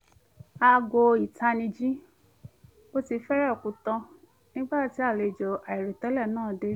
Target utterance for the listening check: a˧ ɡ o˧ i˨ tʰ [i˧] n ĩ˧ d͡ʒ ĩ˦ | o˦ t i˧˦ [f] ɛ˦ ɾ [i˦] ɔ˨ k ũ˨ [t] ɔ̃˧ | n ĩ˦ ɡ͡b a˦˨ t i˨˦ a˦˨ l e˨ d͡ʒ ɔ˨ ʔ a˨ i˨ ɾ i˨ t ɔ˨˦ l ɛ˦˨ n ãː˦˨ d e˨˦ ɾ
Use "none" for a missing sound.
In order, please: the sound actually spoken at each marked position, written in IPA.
a˧, f, ɛ˦, t

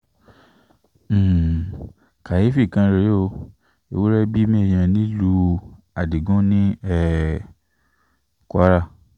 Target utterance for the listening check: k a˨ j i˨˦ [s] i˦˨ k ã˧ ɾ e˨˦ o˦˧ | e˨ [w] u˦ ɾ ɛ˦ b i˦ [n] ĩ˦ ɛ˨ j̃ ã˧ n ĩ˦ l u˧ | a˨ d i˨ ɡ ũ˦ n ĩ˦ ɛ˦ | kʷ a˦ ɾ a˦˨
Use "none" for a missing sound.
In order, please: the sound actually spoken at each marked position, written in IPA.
f, w, m

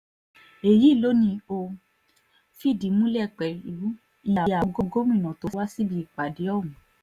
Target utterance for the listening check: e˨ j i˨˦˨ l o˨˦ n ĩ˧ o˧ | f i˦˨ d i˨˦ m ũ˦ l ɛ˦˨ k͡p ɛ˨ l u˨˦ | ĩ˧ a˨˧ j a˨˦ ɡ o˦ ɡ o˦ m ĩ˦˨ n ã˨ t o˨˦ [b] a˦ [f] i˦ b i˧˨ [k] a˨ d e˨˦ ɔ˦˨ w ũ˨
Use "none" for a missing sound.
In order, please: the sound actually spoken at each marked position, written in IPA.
w, s, k͡p

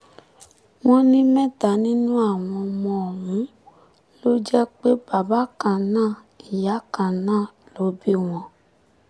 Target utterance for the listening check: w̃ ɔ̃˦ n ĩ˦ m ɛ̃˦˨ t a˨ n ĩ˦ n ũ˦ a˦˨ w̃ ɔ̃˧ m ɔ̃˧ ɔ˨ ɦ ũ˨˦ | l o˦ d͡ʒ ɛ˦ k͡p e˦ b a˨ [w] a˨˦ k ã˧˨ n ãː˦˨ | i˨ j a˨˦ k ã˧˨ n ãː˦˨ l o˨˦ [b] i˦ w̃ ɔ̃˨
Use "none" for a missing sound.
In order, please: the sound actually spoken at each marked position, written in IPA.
b, b

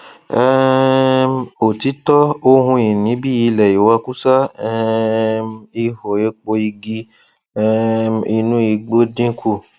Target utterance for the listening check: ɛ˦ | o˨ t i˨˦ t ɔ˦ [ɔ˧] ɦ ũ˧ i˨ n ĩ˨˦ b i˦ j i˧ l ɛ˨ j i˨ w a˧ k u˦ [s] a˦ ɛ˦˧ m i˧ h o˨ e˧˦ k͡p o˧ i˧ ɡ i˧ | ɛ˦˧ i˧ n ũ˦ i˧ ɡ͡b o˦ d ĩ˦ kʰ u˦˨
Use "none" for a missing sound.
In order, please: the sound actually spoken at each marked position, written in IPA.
o˧, s

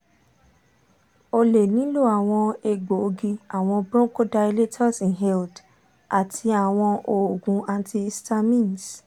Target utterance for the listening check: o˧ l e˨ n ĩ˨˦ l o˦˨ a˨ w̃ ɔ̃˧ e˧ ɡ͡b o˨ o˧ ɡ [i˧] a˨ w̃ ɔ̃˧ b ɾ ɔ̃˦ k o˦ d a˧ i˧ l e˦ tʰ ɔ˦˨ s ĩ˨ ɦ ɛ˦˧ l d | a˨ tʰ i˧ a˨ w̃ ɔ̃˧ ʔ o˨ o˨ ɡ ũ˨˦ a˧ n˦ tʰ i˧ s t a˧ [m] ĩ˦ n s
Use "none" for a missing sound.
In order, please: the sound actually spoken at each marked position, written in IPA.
i˧, m

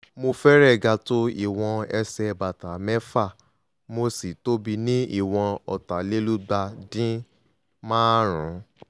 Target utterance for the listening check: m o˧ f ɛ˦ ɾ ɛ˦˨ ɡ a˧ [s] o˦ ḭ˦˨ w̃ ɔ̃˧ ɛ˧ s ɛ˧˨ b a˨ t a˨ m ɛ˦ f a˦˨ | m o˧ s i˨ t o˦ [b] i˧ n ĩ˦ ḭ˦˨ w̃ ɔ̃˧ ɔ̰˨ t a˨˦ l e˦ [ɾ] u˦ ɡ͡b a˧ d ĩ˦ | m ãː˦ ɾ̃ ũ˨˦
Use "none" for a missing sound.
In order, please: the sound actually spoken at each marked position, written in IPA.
t, b, l

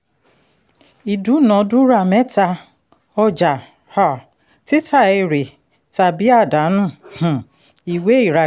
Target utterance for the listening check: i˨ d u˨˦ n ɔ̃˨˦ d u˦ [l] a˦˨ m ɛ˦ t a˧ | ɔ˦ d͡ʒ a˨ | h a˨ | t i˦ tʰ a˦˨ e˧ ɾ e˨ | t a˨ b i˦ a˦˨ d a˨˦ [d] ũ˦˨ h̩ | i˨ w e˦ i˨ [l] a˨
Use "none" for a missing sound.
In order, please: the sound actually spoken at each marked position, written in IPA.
ɾ, n, ɾ

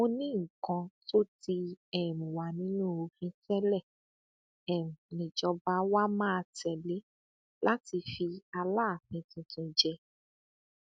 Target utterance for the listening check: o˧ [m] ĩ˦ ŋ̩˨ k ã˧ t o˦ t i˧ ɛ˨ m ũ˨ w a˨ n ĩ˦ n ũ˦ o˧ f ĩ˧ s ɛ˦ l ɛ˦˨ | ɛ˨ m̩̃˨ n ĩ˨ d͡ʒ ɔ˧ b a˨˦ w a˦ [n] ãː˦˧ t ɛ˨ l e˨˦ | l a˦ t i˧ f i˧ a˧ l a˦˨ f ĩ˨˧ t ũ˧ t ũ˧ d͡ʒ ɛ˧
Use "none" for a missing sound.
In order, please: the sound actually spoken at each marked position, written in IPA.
n, m

